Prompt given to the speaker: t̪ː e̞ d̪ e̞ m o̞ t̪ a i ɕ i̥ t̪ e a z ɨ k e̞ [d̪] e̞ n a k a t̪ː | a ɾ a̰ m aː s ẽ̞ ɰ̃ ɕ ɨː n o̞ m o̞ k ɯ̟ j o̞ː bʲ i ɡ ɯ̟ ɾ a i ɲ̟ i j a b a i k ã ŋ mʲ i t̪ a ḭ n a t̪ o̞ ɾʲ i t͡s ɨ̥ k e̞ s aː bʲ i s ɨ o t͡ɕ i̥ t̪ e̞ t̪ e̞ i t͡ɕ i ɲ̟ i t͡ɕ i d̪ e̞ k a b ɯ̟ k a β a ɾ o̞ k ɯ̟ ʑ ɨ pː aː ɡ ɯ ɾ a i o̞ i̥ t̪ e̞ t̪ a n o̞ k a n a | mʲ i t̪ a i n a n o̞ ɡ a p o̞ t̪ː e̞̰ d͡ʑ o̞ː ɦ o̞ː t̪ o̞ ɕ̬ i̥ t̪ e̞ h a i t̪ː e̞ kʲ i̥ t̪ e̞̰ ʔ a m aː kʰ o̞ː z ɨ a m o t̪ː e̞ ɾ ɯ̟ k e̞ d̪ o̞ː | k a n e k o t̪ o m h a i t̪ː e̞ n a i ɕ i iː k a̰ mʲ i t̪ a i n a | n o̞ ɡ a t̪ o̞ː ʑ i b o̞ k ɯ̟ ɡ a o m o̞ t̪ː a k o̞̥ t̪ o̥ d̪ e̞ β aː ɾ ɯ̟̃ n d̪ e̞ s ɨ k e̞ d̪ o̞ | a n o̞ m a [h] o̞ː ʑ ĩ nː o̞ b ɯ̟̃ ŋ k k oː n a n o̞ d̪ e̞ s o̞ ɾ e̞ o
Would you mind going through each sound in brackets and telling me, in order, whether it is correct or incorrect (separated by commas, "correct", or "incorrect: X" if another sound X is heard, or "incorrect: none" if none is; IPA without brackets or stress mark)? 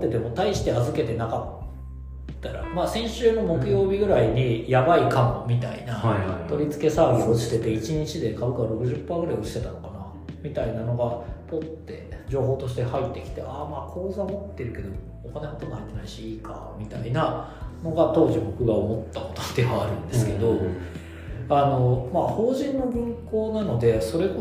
incorrect: t̪, correct